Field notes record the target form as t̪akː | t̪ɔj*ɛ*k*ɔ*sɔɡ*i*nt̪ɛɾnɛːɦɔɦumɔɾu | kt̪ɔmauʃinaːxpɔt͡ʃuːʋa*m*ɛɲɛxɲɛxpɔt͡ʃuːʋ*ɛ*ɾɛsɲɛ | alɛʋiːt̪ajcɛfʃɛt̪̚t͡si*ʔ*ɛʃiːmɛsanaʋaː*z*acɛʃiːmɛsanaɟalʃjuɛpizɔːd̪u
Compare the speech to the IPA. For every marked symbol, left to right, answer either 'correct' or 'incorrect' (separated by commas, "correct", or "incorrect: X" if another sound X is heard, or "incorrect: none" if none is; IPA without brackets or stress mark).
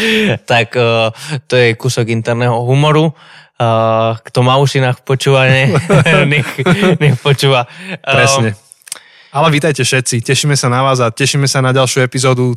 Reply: correct, incorrect: u, correct, incorrect: ɲ, incorrect: a, incorrect: c, correct